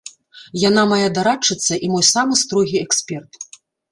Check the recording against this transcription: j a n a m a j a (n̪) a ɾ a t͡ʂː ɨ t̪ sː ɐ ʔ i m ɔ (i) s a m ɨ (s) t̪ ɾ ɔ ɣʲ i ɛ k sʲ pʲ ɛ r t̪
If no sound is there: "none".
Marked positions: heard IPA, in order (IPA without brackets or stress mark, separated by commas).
d̪, j, s